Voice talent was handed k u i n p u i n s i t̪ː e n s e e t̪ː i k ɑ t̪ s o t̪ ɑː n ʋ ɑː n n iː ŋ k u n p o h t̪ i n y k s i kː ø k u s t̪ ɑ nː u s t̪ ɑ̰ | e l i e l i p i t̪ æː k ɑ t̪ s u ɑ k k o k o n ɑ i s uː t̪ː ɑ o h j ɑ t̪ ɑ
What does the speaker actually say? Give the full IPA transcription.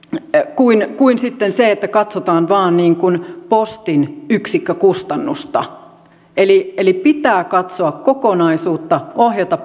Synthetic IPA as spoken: k u i n k u i n s i t̪ː e n s e e t̪ː æ k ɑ t̪ s o t̪ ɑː n ʋ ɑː n n iː ŋ k u n p o s t̪ i n y k s i kː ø k u s t̪ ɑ nː u s t̪ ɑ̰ | e l i e l i p i t̪ æː k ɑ t̪ s o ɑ k k o k o n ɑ i s uː t̪ː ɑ o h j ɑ t̪ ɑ